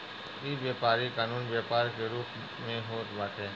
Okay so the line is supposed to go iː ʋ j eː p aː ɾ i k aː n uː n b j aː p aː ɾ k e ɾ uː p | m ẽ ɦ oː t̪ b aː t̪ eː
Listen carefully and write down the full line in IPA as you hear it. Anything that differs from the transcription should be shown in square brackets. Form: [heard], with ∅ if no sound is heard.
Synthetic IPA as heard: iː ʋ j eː p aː ɾ i k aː n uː n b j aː p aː ɾ k e ɾ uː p | m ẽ ɦ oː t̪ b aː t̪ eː